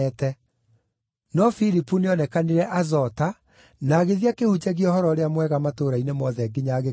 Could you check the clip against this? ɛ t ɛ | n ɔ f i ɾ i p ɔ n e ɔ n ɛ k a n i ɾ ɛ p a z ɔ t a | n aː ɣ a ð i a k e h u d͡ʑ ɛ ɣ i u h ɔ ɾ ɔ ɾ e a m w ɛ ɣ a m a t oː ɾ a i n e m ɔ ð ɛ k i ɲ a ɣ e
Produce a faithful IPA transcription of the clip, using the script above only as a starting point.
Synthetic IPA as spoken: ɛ t ɛ | n ɔ f i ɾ i p u n e ɔ n ɛ k a n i ɾ ɛ ʔ a z ɔ t a | n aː ɣ e ð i a k e h u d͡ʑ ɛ ɣ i ɔ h ɔ ɾ ɔ ɾ e a m w ɛ ɣ a m a t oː ɾ a i n e m ɔ ð ɛ ɡ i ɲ a ɣ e

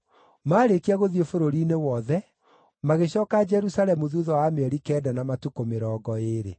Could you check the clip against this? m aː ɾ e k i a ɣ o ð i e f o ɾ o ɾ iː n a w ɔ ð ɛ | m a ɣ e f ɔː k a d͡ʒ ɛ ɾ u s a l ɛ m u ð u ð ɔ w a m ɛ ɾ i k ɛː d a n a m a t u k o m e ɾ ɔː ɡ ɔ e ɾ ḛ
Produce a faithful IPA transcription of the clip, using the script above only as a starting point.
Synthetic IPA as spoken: m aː ɾ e k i a ɣ o ð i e f o ɾ o ɾ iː n e w ɔ ð ɛ | m a ɣ e ɕ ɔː k a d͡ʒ ɛ ɾ u s a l ɛ m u ð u ð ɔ w a m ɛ ɾ i k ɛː d a n a m a t u k o m e ɾ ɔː ɡ ɔ e ɾ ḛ

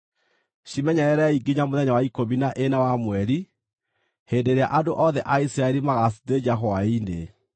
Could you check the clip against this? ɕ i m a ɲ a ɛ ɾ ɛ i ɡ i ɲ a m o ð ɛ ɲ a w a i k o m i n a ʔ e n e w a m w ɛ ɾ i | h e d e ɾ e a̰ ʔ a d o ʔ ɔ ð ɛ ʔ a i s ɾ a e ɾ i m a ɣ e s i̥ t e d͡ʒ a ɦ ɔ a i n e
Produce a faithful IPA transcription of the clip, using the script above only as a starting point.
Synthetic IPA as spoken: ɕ i m ɛ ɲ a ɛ ɾ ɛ i ɡ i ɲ a m o ð ɛ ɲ a w a i k o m i n a ʔ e n a w a m w ɛ ɾ i | h e d e ɾ e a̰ ʔ a d o ʔ ɔ ð ɛ ʔ a i s ɾ a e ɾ i m a ɣ a s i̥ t e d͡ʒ a ɦ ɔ a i n e

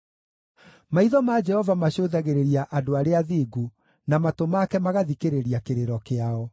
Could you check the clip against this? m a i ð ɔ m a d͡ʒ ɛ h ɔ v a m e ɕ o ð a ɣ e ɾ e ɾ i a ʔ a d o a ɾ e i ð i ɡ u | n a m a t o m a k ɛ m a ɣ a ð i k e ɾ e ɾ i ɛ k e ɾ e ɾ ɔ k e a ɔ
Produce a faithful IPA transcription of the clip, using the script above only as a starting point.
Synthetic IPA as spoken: m a i ð ɔ m a d͡ʒ ɛ h ɔ v a m a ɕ o ð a ɣ e ɾ e ɾ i a ʔ a d o a ɾ e a ð i ɡ u | n a m a t o m a k ɛ m a ɣ a ð i k e ɾ e ɾ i a k e ɾ e ɾ ɔ k e a ɔ

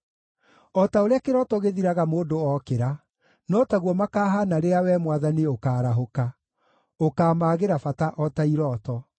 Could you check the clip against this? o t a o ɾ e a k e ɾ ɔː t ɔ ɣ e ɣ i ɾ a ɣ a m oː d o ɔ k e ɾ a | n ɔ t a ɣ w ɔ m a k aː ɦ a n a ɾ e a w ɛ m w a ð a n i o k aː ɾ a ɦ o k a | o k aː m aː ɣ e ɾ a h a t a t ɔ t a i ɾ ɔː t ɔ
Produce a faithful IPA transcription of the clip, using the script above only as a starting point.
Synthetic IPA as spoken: ɔ t a o ɾ e a k e ɾ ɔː t ɔ ɣ e ð i ɾ a ɣ a m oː d o ɔ k e ɾ a | n ɔ t a ɣ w ɔ m a k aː ɦ a n a ɾ e a w ɛ m w a ð a n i o k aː ɾ a ɦ o k a | o k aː m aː ɣ e ɾ a f a t a ʔ ɔ t a i ɾ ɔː t ɔ

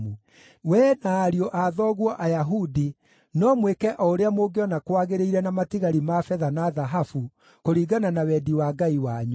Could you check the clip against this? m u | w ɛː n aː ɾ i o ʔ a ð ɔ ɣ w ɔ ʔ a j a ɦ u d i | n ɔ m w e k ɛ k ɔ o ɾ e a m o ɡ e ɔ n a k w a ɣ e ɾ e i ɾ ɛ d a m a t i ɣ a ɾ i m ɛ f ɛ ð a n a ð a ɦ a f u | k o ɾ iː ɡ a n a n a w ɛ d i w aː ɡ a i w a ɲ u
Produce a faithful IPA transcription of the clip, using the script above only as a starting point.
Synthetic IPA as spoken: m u | w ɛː n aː ɾ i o ʔ a ð ɔ ɣ w ɔ ʔ a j a ɦ u d i | n ɔ m w e k ɛ ʔ ɔ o ɾ e a m o ɡ e ɔ n a k w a ɣ e ɾ e i ɾ ɛ n a m a t i ɣ a ɾ i m a f ɛ ð a n a ð a ɦ a f u | k o ɾ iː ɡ a n a n a w ɛ d i w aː ɡ a i w a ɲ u

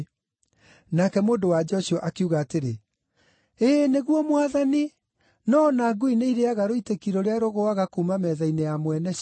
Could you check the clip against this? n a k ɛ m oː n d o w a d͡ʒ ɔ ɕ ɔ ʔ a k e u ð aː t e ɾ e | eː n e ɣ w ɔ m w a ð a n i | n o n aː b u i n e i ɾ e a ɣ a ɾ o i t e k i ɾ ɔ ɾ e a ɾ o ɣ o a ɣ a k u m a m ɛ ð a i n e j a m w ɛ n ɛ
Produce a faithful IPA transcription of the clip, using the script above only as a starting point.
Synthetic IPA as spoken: n a k ɛ m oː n d o w a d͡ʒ ɔ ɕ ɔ ʔ a k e u ɣ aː t e ɾ e | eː n e ɣ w ɔ m w a ð a n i | n ɔ n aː ɡ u i n e i ɾ e a ɣ a ɾ o i t e k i ɾ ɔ ɾ e a ɾ o ɣ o a ɣ a k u m a m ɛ ð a i n e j a m w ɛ n ɛ

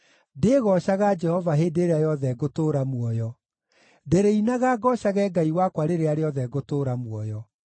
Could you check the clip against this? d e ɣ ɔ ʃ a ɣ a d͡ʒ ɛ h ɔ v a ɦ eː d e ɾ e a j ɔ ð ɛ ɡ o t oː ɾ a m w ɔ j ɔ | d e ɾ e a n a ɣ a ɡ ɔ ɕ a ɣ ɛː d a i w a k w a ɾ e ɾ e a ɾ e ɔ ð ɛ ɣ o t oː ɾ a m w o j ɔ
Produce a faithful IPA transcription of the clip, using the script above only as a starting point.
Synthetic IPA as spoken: d e ɣ ɔ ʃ a ɣ a d͡ʒ ɛ h ɔ v a ɦ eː d e ɾ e a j ɔ ð ɛ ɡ o t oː ɾ a m w ɔ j ɔ | d e ɾ e i n a ɣ a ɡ ɔ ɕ a ɣ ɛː ɡ a i w a k w a ɾ e ɾ e a ɾ e ɔ ð ɛ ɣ o t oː ɾ a m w ɔ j ɔ

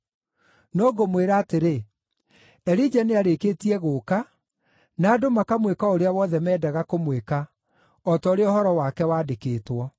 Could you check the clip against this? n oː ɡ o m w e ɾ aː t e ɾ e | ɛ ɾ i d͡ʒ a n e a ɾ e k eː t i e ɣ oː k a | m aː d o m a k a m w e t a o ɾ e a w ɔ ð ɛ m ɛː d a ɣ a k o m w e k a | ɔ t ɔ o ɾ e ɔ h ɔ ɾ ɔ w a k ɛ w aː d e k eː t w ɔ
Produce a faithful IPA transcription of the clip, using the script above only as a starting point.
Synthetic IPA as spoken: n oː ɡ o m w e ɾ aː t e ɾ e | ɛ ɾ i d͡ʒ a n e a ɾ e k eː t i ɛ ɣ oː k a | n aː d o m a k a m w e k a o ɾ e a w ɔ ð ɛ m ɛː d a ɣ a k o m w e k a | ɔ t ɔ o ɾ e ɔ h ɔ ɾ ɔ w a k ɛ w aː d e k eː t w ɔ

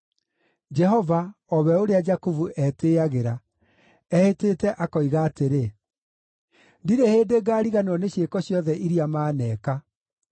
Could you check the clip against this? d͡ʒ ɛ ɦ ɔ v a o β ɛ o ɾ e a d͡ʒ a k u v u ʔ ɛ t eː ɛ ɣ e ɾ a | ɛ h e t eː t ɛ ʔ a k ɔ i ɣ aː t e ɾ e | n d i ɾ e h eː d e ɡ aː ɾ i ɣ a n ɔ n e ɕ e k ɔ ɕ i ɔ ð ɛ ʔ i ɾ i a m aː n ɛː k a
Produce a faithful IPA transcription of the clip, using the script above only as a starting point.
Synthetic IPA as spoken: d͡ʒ ɛ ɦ ɔ v a ɔ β ɛ o ɾ e a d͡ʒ a k u v u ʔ ɛ t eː a ɣ e ɾ a | ɛ h e t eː t ɛ ʔ a k ɔ i ɣ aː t e ɾ e | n d i ɾ e h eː d e ɡ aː ɾ i ɣ a n ɔ n e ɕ e k ɔ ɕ j ɔ ð ɛ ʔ i ɾ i a m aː n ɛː k a

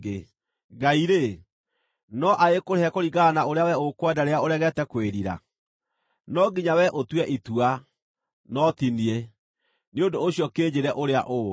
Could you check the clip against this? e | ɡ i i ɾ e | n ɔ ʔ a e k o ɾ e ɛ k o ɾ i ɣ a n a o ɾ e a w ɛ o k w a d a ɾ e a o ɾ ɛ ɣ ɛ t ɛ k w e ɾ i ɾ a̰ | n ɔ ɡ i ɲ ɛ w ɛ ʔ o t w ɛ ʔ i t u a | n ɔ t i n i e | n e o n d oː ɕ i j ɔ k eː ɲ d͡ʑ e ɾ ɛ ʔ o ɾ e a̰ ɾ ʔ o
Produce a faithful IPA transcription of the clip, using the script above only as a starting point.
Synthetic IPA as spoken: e | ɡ a i ɾ e | n ɔ ʔ a e k o ɾ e ɛ k o ɾ i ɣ a n a o ɾ e a w ɛ o k w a d a ɾ e a o ɾ ɛ ɣ ɛ t ɛ k w e ɾ i ɾ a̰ | n ɔ ɡ i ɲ a w ɛ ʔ o t w ɛ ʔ i t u a | n ɔ t i n i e | n e o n d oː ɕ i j ɔ k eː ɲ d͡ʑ e ɾ ɛ ʔ o ɾ e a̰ ʔ o

